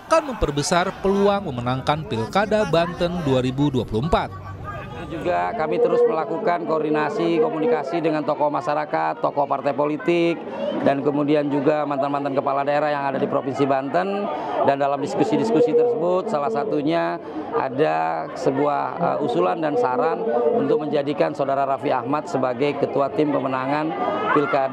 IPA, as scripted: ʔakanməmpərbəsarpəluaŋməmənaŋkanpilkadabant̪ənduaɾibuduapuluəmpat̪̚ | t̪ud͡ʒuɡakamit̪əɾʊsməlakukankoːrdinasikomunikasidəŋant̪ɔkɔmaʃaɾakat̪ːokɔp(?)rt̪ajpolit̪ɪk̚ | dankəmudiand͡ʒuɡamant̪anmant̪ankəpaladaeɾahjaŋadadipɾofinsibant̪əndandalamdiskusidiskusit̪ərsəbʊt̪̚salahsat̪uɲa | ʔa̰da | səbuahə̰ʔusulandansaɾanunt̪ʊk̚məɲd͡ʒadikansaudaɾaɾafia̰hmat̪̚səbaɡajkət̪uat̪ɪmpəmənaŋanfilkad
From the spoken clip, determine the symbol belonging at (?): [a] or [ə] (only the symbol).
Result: a